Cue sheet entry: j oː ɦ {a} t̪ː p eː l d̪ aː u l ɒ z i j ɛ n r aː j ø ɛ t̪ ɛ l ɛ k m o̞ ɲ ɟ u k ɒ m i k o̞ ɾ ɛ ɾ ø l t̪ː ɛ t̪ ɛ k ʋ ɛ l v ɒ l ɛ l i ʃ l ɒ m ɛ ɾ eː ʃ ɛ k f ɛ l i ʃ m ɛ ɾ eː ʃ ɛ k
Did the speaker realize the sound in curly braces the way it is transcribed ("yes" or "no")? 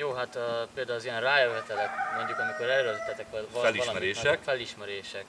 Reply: yes